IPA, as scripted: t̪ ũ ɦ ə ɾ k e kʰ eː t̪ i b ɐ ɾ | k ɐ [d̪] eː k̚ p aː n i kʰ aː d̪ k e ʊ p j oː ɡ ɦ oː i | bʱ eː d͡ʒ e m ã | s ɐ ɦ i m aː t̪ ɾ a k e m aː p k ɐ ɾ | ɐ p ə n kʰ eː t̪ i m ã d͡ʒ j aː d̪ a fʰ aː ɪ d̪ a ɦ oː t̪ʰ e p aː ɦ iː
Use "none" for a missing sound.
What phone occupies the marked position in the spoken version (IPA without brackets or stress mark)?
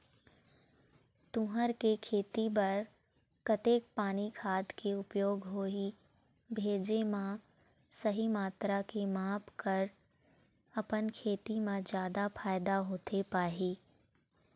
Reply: t̪